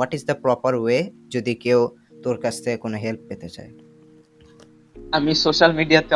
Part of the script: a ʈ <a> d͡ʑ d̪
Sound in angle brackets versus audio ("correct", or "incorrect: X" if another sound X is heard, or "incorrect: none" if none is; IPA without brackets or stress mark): incorrect: i